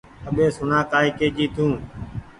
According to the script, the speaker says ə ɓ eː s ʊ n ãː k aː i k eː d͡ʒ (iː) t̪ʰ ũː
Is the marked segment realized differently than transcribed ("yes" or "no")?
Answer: no